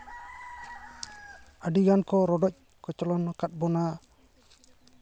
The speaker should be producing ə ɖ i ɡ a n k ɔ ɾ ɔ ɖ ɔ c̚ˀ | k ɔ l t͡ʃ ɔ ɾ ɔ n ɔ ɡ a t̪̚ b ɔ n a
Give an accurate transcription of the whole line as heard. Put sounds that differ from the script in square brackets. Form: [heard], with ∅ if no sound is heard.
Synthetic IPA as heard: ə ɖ i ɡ a n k ɔ ɾ ɔ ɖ ɔ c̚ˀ | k ɔ [∅] t͡ʃ ɔ [l] ɔ n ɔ [k] a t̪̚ b ɔ n a